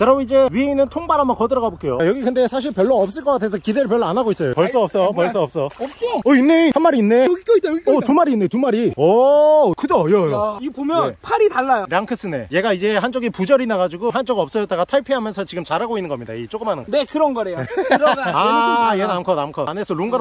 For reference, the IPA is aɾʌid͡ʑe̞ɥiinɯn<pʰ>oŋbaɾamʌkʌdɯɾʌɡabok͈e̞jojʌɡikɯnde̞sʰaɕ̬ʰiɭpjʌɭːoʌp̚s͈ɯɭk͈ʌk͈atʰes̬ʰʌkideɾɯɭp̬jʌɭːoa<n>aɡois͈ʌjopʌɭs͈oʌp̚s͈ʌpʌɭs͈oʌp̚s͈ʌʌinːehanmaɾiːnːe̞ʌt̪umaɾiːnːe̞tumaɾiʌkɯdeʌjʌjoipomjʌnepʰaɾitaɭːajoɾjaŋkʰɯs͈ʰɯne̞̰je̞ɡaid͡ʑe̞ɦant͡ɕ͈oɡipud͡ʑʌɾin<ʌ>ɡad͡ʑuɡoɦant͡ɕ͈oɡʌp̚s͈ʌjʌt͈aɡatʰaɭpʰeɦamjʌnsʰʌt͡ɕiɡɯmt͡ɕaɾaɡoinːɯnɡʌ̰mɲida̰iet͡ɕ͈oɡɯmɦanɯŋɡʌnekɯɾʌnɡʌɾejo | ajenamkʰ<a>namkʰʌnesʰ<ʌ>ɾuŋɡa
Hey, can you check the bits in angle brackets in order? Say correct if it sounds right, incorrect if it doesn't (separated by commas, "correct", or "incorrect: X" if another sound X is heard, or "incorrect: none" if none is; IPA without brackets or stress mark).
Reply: incorrect: tʰ, correct, incorrect: a, incorrect: ʌ, correct